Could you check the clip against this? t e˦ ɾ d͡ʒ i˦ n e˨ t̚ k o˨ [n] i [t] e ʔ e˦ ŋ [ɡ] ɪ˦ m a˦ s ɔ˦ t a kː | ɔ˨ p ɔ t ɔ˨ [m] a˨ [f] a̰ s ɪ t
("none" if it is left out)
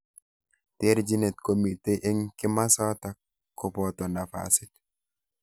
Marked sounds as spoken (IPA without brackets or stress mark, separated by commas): m, t, k, n, f